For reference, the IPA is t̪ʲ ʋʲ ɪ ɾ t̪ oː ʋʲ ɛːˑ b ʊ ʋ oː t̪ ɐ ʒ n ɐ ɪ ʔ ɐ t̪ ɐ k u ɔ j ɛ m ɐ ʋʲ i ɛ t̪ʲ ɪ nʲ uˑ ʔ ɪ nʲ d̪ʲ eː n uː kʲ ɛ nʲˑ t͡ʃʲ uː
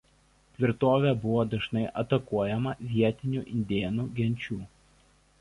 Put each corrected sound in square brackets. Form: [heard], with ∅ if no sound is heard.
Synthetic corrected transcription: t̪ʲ ʋʲ ɪ ɾ t̪ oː ʋʲ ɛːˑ b ʊ ʋ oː [d̪] ɐ ʒ n ɐ ɪ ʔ ɐ t̪ ɐ k u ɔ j ɛ m ɐ ʋʲ i ɛ t̪ʲ ɪ nʲ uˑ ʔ ɪ nʲ d̪ʲ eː n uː [ɡʲ] ɛ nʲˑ t͡ʃʲ uː